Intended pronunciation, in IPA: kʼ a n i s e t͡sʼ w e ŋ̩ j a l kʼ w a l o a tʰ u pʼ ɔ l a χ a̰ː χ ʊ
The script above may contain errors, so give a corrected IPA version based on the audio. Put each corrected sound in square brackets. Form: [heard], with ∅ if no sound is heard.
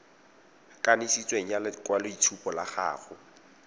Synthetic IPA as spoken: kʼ a n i s [i] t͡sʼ w e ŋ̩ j a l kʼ w a l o [i] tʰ u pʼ ɔ l a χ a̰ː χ ʊ